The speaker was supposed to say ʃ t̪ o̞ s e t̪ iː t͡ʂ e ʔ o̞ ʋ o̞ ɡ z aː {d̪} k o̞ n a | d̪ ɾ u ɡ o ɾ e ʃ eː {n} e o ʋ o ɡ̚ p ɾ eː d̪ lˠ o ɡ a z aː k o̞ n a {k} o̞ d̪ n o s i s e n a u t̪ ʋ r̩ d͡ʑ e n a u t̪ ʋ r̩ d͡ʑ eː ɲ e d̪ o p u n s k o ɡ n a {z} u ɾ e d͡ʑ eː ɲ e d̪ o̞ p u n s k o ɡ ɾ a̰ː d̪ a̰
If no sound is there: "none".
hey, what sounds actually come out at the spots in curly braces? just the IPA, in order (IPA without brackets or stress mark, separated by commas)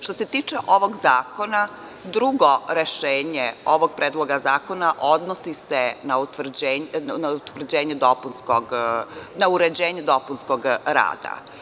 none, ɲ, ʔ, none